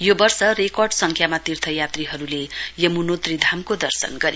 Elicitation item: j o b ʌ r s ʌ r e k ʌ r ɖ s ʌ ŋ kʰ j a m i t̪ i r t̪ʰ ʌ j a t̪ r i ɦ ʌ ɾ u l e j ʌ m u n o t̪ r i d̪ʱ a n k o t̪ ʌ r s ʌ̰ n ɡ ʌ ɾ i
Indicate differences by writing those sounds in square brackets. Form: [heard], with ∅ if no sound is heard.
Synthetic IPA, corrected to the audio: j o b ʌ r s ʌ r e k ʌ r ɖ s ʌ ŋ kʰ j a m [a] t̪ i r t̪ʰ ʌ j a t̪ r i ɦ ʌ ɾ u l e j ʌ m u n o t̪ r i d̪ʱ a [m] k o [d̪] ʌ r s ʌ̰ n ɡ ʌ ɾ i